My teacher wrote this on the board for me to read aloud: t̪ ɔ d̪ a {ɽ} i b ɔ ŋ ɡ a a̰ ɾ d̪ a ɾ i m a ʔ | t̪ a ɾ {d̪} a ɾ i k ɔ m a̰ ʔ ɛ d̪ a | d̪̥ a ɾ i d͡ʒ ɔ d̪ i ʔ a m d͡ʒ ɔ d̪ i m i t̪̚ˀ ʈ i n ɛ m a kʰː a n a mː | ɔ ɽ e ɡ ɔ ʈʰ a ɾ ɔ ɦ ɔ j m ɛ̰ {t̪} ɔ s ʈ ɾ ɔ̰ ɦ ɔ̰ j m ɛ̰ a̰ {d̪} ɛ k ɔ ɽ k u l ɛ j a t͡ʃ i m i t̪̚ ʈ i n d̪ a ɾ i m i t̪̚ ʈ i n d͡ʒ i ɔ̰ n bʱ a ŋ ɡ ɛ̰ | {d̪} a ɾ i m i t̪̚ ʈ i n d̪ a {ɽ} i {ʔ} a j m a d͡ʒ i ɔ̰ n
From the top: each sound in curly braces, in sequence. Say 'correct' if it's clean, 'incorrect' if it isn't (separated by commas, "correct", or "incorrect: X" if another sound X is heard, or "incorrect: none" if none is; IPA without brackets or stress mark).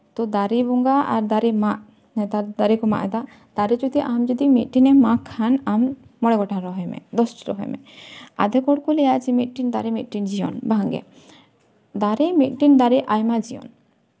incorrect: ɾ, correct, incorrect: d̪, correct, correct, incorrect: ɾ, correct